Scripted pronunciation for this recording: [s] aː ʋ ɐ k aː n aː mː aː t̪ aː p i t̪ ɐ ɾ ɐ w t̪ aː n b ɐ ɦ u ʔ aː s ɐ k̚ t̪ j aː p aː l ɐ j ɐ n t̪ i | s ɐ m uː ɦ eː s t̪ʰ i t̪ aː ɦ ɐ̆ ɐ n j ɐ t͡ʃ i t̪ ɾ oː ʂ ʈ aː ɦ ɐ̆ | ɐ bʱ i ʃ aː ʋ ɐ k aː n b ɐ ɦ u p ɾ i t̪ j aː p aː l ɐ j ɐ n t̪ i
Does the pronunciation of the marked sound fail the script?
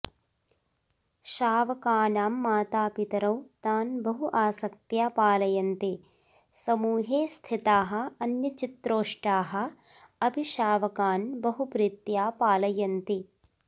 yes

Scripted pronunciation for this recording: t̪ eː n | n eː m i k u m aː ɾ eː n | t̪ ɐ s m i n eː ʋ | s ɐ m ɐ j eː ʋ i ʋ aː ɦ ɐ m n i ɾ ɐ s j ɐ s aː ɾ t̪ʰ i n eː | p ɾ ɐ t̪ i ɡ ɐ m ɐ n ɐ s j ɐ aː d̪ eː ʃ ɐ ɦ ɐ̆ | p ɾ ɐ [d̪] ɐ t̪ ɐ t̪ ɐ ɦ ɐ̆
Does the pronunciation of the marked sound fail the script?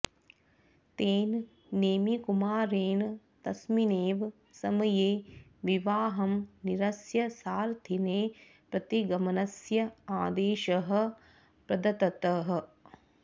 no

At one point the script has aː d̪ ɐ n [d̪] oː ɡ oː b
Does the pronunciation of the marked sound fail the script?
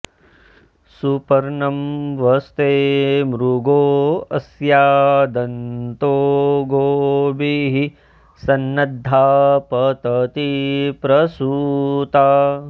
yes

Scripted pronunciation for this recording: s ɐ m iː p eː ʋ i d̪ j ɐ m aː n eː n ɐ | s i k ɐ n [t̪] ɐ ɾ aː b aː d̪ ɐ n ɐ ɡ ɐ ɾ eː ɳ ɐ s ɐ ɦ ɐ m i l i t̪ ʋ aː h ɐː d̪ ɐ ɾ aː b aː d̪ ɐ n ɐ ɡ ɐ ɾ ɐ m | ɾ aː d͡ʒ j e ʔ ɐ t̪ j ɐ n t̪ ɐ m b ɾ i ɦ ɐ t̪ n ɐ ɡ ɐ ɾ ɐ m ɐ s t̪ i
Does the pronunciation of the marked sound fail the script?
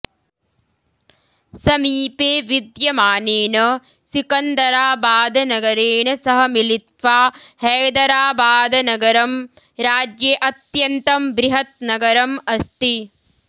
yes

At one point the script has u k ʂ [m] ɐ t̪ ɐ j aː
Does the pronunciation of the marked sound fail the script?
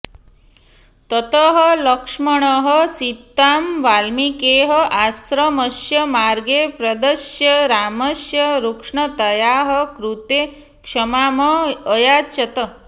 yes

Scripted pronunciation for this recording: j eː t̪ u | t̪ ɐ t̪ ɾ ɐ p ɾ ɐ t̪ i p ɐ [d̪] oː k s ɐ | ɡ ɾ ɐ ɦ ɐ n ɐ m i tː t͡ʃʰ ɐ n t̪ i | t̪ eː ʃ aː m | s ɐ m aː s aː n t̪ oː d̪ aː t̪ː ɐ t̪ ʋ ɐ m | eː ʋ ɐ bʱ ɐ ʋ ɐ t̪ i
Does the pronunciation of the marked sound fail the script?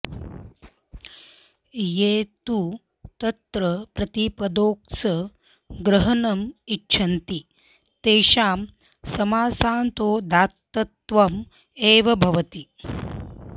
no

